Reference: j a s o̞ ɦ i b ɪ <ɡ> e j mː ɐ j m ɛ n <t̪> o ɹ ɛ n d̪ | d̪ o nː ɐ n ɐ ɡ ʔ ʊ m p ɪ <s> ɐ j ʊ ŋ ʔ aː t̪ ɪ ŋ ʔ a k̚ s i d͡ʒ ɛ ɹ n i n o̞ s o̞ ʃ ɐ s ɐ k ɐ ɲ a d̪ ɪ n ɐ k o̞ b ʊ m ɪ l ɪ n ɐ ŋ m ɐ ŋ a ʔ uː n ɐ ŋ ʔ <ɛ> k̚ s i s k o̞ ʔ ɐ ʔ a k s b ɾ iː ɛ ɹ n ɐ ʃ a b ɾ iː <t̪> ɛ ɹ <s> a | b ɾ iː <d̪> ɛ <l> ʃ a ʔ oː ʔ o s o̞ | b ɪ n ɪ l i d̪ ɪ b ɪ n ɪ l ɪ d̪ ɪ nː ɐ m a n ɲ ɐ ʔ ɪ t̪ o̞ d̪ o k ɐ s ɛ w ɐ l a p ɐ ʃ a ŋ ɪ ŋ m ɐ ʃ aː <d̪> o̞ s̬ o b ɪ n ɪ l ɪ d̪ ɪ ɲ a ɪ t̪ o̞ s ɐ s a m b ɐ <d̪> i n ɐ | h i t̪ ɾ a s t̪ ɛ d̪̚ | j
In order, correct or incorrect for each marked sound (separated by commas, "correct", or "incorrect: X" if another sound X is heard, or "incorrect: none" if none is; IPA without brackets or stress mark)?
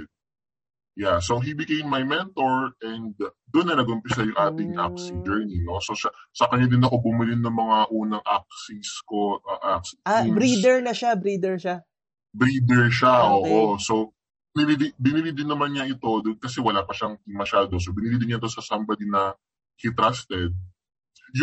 incorrect: k, correct, correct, incorrect: a, incorrect: d̪, incorrect: ʃ, correct, incorrect: ɹ, correct, correct